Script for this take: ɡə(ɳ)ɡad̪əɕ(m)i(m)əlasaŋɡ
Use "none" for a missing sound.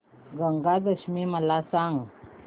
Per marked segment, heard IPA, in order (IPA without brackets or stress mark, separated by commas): ŋ, m, m